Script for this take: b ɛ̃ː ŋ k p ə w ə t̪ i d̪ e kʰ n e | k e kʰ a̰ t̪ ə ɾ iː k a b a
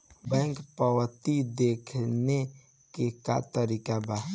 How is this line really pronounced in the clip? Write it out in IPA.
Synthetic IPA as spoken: b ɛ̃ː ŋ k p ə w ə t̪ i d̪ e kʰ n e | k e k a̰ t̪ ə ɾ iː k a b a